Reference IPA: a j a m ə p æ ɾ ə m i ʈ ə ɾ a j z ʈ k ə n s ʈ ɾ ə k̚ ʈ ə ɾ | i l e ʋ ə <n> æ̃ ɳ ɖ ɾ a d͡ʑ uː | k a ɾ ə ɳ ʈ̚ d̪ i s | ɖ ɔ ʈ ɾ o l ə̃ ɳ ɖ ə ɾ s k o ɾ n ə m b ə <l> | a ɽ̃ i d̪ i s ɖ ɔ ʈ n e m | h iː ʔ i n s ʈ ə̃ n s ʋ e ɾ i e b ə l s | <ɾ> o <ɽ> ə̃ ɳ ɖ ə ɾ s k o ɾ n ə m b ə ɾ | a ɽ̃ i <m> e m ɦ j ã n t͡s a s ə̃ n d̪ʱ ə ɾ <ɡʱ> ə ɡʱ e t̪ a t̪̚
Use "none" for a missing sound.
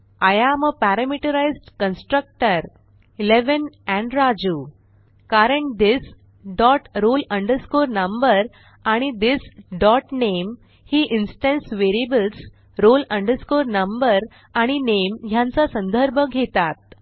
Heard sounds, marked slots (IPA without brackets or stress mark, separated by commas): n, ɾ, ɾ, l, n, bʱ